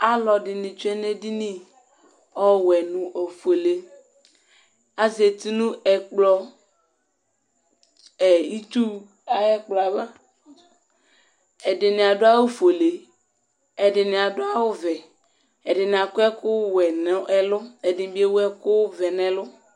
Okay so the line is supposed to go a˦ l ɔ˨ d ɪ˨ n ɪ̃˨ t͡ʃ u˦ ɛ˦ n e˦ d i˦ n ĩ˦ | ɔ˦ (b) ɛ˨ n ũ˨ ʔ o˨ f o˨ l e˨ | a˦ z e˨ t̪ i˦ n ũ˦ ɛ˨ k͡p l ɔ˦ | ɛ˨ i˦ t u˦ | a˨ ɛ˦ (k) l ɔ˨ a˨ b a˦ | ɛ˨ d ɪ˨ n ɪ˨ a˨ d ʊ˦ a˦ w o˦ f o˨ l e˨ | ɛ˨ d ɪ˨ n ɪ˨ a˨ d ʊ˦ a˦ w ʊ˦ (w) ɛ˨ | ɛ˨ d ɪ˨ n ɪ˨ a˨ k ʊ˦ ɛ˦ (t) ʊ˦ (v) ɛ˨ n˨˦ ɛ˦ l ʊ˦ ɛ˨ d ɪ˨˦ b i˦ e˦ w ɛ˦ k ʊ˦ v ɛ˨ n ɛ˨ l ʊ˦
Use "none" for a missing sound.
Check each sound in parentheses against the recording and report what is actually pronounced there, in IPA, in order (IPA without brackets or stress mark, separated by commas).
w, k͡p, v, k, w